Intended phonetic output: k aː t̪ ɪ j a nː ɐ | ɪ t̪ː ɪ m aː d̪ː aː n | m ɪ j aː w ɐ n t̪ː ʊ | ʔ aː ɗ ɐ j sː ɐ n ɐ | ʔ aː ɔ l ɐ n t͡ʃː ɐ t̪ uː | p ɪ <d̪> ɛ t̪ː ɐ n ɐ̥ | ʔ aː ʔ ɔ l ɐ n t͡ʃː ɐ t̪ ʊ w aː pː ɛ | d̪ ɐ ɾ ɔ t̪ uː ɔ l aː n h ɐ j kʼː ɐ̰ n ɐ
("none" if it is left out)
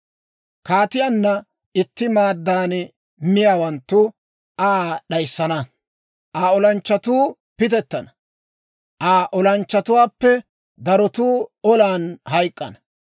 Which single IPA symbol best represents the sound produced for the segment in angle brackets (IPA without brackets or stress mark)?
t̪